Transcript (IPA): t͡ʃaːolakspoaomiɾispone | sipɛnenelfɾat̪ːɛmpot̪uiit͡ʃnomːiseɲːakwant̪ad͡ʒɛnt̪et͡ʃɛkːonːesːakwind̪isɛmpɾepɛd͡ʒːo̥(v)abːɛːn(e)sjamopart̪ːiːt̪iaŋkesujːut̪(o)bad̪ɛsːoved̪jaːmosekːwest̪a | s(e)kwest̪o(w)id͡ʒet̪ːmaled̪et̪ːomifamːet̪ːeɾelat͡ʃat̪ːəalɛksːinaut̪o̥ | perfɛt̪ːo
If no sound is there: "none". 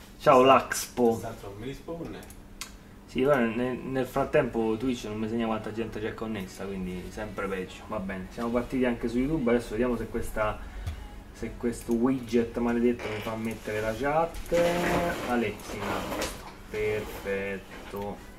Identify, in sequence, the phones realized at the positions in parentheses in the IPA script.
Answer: v, e, u, e, w

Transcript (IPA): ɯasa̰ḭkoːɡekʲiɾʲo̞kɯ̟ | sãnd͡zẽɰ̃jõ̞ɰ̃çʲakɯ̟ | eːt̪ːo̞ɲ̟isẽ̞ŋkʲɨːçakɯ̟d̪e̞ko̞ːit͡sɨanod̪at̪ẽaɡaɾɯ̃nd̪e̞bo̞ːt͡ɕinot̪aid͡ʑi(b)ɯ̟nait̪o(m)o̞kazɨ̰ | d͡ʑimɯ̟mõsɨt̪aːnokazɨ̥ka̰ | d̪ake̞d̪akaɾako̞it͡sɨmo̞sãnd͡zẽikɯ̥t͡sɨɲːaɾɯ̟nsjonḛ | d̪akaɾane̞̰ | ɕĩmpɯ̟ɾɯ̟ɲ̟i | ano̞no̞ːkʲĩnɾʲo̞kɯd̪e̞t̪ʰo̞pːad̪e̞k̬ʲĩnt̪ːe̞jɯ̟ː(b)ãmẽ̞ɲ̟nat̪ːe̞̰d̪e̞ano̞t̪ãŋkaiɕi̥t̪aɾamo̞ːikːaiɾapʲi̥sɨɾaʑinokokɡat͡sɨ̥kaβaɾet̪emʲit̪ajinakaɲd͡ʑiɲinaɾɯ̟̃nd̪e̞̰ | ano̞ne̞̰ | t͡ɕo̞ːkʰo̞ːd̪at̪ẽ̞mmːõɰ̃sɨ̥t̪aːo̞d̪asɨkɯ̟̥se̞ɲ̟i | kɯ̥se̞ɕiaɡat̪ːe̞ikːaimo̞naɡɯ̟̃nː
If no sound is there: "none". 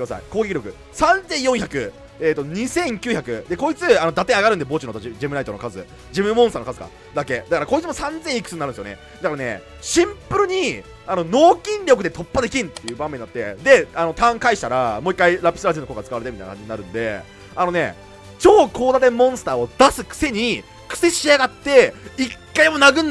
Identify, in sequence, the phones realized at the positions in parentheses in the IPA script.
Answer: m, n, b

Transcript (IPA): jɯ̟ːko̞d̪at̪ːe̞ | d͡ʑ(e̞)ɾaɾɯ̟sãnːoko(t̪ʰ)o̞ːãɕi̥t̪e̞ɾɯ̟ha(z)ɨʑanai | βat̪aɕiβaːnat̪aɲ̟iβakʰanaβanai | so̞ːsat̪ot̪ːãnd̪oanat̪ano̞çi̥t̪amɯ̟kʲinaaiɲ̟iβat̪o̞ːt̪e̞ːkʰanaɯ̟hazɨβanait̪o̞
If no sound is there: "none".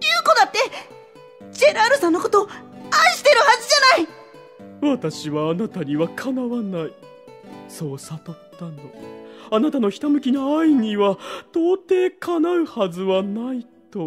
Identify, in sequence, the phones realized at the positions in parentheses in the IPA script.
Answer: e̞, t̪, z

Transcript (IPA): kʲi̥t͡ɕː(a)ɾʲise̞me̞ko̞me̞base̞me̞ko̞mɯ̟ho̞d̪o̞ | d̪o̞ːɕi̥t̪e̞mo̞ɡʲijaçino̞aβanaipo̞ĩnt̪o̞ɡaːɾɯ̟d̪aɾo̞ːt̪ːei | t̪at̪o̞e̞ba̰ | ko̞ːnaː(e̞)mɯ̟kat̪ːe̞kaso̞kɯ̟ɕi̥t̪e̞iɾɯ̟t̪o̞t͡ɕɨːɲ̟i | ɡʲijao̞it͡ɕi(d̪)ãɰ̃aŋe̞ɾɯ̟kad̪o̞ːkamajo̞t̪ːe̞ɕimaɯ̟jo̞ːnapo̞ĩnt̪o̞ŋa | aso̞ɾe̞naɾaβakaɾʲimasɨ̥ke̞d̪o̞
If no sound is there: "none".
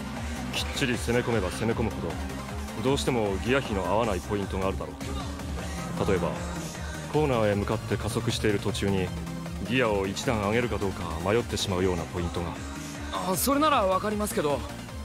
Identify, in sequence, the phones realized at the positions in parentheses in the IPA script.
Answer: i, e̞, d̪

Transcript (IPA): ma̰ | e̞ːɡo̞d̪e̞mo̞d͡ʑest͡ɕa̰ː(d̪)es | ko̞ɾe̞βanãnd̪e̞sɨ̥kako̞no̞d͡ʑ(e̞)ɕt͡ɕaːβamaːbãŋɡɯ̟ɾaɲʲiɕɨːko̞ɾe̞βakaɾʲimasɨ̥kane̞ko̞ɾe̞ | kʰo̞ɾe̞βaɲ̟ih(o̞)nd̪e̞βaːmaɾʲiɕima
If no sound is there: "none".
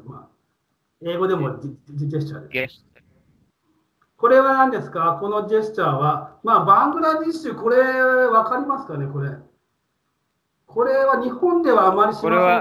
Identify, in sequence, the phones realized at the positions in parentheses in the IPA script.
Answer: d̪, e̞, õ̞

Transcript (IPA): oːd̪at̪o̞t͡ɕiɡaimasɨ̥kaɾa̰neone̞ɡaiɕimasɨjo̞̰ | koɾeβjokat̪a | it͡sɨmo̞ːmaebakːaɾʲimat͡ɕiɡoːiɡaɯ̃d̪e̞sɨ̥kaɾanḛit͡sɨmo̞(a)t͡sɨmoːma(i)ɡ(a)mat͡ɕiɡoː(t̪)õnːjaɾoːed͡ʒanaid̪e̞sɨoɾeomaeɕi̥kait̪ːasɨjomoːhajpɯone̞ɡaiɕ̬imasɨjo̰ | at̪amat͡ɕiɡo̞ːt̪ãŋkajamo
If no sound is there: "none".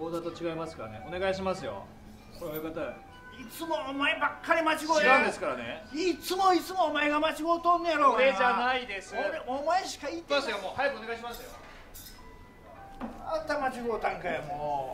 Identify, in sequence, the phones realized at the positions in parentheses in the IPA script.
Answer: i, e, a, t̪

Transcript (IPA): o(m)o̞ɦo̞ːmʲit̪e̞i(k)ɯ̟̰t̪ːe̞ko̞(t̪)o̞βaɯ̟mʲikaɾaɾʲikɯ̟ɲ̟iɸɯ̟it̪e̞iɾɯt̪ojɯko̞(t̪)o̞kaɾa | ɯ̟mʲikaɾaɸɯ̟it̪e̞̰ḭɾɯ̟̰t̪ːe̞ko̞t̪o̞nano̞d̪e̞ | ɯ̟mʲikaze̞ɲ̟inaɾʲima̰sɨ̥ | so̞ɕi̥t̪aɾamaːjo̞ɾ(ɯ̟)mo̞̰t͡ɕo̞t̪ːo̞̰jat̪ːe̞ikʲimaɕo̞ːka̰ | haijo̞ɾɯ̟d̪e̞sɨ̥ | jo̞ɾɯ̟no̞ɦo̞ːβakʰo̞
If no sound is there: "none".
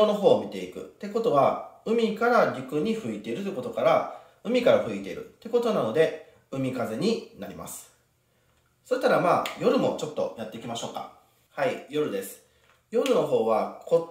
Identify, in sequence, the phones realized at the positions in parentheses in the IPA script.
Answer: n, k, t̪, t̪, ɯ̟

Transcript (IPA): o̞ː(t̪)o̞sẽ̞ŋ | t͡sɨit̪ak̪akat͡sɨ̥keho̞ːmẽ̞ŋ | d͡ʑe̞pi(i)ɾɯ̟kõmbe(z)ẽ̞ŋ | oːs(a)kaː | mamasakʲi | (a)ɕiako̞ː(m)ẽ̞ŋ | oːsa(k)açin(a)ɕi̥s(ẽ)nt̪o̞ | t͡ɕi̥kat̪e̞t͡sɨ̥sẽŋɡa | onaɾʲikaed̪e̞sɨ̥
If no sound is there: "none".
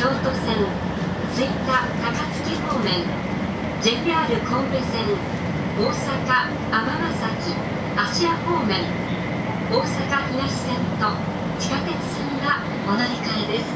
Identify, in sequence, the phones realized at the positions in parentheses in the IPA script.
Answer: t̪, a, s, a, a, m, k, a, ẽ

